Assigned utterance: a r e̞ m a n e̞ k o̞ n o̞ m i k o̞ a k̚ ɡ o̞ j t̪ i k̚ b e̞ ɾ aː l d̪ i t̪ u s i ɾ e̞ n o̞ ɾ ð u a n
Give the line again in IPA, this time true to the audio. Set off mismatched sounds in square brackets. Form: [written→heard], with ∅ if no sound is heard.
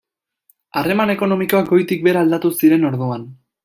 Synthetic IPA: a r e̞ m a n e̞ k o̞ n o̞ m i k o̞ a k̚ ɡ o̞ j t̪ i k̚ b e̞ ɾ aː l d̪ [i→a] t̪ u s i ɾ e̞ n o̞ ɾ ð u a n